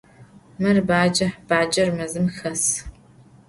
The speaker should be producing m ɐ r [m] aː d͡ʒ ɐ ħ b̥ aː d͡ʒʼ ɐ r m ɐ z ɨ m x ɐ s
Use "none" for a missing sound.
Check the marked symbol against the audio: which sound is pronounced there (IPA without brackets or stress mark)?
b